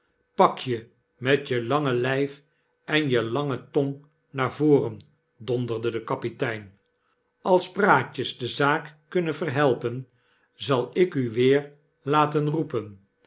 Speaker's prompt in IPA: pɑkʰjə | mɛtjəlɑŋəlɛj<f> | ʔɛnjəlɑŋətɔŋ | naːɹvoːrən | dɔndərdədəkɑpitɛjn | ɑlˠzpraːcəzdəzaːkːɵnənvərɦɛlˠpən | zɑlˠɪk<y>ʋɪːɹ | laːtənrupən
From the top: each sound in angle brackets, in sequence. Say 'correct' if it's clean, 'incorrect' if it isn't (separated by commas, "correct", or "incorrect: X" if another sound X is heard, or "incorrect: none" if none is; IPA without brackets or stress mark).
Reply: correct, correct